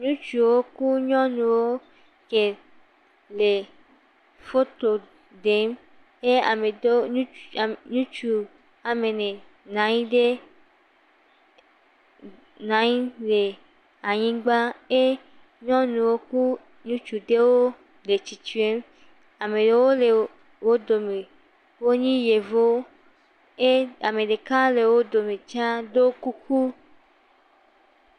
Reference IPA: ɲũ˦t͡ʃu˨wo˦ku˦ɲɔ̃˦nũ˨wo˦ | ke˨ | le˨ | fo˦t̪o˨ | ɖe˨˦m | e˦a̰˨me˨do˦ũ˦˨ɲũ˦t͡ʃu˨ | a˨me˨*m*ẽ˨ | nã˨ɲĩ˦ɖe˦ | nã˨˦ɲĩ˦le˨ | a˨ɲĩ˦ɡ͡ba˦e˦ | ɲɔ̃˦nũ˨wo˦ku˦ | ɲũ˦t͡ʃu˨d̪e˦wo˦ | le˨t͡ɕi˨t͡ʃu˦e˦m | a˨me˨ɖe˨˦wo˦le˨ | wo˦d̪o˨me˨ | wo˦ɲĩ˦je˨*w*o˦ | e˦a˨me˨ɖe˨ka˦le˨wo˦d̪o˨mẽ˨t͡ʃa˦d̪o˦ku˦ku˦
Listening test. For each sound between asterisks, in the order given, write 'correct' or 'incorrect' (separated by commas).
incorrect, incorrect